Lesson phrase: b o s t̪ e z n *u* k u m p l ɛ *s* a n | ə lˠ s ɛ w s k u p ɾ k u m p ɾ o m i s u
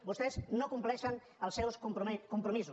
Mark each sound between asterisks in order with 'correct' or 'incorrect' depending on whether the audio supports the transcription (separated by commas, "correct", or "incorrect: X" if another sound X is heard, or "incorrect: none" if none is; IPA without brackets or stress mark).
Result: incorrect: o, incorrect: ʃ